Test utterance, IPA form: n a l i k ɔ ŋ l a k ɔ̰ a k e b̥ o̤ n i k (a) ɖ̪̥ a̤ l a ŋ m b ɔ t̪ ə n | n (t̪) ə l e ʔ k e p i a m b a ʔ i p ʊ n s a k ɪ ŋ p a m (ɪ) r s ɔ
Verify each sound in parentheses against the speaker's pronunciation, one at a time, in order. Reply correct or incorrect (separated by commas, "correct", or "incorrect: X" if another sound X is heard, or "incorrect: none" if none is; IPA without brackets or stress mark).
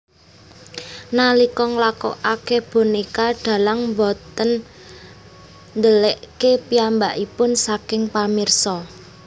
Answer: correct, incorrect: d̪, incorrect: i